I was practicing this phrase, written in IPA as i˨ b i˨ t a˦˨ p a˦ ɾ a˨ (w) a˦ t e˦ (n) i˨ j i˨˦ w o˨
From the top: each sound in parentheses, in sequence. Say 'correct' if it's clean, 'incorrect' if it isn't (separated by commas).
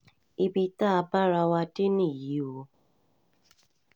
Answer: correct, correct